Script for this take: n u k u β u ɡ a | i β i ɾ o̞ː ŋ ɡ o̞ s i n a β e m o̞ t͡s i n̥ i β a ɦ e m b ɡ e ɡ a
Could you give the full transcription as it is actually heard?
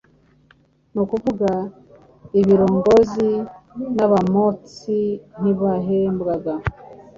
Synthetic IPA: n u k u v u ɡ a | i β i ɾ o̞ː ŋ ɡ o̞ z i n a β a m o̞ t͡s i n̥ i β a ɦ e m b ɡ a ɡ a